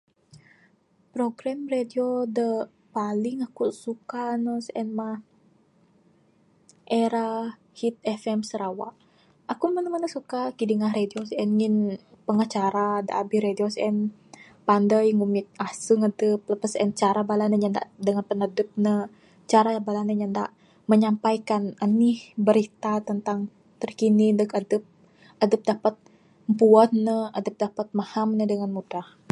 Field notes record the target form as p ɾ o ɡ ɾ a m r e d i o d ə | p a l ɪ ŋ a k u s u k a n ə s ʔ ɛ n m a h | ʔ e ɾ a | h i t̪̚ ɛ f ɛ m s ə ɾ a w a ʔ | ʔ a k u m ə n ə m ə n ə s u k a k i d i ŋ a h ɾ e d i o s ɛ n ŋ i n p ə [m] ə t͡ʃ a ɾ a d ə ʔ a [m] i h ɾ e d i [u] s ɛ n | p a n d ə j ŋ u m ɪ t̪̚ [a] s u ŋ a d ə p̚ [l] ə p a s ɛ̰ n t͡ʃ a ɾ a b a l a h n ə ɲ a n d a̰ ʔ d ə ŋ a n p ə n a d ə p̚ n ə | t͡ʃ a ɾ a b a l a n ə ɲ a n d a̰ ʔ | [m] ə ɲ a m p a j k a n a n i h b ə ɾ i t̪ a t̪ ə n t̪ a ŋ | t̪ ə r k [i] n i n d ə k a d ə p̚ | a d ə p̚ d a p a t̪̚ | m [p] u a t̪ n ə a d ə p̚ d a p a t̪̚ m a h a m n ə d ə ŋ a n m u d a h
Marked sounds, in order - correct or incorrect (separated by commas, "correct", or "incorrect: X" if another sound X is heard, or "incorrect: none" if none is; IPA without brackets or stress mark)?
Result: incorrect: ŋ, incorrect: b, incorrect: o, correct, correct, correct, correct, correct